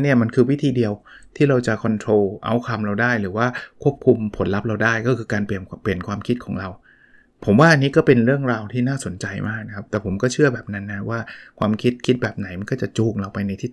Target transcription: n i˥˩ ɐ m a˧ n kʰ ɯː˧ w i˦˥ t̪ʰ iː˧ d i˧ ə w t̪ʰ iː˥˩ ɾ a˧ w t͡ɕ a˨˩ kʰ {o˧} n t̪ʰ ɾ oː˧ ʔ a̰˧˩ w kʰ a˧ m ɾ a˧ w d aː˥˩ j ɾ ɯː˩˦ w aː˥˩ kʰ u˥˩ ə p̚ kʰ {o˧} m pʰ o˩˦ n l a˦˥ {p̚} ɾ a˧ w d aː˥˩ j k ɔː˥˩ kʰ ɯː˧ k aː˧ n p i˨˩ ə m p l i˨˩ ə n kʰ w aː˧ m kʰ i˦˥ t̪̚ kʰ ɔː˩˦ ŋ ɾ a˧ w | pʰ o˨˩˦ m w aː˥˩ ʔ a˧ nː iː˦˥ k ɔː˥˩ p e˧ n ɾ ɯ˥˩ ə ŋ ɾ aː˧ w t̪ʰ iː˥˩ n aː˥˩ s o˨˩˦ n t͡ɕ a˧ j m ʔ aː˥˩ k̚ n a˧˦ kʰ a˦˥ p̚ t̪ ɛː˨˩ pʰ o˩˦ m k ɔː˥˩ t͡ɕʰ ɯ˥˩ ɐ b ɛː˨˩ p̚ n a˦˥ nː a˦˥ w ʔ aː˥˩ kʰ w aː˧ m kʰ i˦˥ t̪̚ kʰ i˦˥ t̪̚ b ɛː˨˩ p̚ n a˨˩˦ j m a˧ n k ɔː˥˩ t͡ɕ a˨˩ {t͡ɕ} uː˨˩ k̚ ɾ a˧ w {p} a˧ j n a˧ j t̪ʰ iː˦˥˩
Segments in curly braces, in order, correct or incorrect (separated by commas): incorrect, incorrect, correct, correct, correct